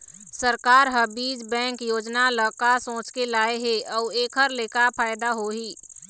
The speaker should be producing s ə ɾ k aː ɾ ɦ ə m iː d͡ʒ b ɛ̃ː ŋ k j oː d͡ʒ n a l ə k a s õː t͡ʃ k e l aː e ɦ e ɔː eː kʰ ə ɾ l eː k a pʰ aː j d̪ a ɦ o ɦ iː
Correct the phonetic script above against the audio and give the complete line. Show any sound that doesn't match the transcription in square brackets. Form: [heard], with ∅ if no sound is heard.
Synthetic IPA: s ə ɾ k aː ɾ ɦ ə [b] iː d͡ʒ b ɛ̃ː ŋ k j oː d͡ʒ n a l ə k a s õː t͡ʃ k e l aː e ɦ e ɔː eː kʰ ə ɾ l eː k a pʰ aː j d̪ a ɦ o ɦ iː

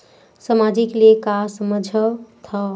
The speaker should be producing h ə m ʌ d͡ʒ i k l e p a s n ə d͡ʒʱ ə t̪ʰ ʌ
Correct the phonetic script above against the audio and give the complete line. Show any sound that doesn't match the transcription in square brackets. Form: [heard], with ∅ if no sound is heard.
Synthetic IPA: [s] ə m [a] d͡ʒ i k l e [k] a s [m] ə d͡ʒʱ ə t̪ʰ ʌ

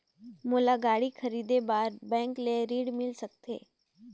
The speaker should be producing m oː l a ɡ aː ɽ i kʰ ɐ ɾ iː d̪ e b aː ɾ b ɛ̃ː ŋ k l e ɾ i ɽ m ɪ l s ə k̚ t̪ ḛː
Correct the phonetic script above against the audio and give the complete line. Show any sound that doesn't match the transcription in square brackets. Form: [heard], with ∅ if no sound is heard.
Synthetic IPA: m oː l a ɡ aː ɽ i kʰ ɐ ɾ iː d̪ e b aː ɾ b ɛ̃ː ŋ k l e ɾ [iː] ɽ m ɪ l s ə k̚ t̪ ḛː

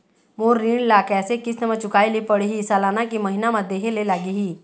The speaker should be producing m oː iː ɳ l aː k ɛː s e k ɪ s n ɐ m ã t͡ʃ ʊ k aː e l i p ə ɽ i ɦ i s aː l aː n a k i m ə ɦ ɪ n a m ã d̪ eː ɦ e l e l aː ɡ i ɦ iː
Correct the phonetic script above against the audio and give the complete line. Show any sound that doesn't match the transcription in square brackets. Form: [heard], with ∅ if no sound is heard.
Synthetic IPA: m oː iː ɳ l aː k ɛː s e k ɪ s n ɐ m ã t͡ʃ ʊ k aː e l i p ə ɽ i ɦ i s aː l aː n a k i m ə ɦ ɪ n a m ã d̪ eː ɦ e l e l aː ɡ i ɦ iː

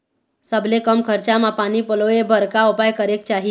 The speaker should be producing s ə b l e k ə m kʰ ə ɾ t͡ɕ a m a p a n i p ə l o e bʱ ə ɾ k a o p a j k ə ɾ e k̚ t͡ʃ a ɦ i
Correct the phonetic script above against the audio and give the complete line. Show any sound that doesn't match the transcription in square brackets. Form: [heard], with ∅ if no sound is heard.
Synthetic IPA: s ə b l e k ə m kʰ ə ɾ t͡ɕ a m a p a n i p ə l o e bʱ ə ɾ k a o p a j k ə ɾ e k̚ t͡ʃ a ɦ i

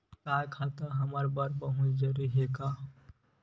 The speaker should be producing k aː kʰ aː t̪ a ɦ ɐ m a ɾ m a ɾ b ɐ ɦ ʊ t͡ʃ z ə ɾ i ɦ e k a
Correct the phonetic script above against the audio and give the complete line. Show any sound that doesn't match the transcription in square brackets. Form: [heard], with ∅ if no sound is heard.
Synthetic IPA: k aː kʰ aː t̪ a ɦ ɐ m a ɾ [b] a ɾ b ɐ ɦ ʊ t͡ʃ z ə ɾ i ɦ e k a

